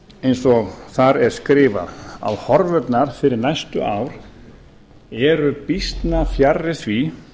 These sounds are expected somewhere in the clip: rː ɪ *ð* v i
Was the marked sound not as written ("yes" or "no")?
yes